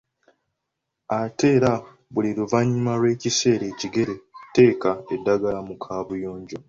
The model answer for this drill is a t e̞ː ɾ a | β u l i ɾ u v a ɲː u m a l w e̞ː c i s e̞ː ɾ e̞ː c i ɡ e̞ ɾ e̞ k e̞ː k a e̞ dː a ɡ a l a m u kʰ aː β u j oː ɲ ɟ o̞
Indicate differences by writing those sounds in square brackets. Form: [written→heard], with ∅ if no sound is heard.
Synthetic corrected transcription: a t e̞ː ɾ a | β u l i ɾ u v a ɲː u m a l w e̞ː c i s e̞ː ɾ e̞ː c i ɡ e̞ ɾ e̞ [k→t] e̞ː k a e̞ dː a ɡ a l a m u kʰ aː β u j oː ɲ ɟ o̞

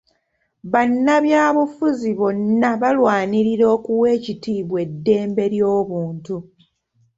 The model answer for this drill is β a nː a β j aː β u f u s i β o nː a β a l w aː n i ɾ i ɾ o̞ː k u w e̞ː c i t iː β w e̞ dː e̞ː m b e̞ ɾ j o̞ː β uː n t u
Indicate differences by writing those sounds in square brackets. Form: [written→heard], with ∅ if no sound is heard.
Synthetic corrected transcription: β a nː a β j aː β u f u [s→z] i β o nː a β a l w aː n i ɾ i ɾ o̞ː k u w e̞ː c i t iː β w e̞ dː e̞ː m b e̞ ɾ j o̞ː β uː n t u

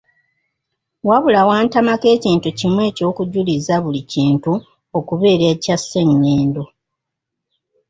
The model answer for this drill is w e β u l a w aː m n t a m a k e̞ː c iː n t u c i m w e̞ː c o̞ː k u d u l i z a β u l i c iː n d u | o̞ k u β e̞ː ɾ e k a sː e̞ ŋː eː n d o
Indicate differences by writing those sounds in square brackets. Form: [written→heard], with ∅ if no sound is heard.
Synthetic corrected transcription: w [e→a] β u l a w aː [m→∅] n t a m a k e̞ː c iː n t u c i m w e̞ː c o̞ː k u [d→ɟ] u l i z a β u l i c iː n [d→t] u | o̞ k u β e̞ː ɾ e [k→c] a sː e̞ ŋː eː n d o

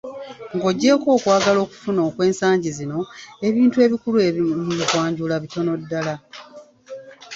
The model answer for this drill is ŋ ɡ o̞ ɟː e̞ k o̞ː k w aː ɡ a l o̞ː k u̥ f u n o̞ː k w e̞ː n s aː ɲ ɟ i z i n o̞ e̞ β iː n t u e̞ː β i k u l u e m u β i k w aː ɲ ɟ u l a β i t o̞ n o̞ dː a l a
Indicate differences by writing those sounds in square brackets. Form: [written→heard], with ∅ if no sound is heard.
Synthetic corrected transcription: ŋ ɡ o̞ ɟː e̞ k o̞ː k w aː ɡ a l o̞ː k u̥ f u n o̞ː k w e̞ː n s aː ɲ ɟ i z i n o̞ e̞ β iː n t u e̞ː β i k u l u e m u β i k w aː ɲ ɟ u l a β i t o̞ n o̞ dː a l a

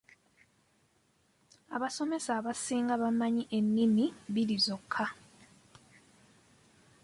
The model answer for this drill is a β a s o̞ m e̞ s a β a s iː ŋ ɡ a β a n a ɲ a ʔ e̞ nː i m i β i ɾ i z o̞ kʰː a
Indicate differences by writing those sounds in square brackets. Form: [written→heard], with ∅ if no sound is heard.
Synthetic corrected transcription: a β a s o̞ m e̞ s a β a s iː ŋ ɡ a β a [n→m] a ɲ [a→i] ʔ e̞ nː i m i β i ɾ i z o̞ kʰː a

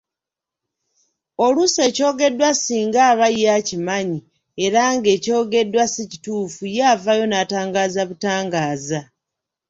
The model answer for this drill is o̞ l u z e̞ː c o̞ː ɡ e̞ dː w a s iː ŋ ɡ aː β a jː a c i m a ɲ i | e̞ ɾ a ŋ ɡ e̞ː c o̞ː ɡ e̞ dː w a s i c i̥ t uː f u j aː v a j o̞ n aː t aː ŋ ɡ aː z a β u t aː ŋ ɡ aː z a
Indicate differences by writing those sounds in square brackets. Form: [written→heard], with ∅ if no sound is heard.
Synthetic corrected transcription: o̞ l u [z→s] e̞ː c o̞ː ɡ e̞ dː w a s iː ŋ ɡ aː β a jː a c i m a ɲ i | e̞ ɾ a ŋ ɡ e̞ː c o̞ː ɡ e̞ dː w a s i c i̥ t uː f u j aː v a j o̞ n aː t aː ŋ ɡ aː z a β u t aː ŋ ɡ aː z a

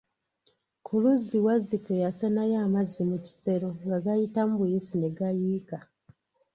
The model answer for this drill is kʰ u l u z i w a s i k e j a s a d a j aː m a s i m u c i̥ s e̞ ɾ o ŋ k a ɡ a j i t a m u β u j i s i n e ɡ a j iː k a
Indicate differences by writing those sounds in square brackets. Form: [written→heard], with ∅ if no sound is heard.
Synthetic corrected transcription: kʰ u l u z i w a [s→z] i k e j a s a [d→n] a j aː m a [s→z] i m u c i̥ s e̞ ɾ o ŋ [k→ɡ] a ɡ a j i t a m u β u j i s i n e ɡ a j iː k a

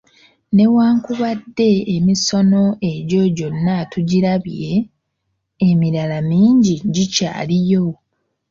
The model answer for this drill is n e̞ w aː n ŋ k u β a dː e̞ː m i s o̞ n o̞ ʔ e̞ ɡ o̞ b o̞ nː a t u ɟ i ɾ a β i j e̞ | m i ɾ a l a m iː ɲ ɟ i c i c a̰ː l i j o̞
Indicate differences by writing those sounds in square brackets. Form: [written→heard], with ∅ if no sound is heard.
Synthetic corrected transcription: n e̞ w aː [n→∅] ŋ k u β a dː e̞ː m i s o̞ n o̞ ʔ e̞ [ɡ→ɟ] o̞ [b→ɟ] o̞ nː a t u ɟ i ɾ a β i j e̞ | m i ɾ a l a m iː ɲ ɟ i [c→ɟ] i c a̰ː l i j o̞

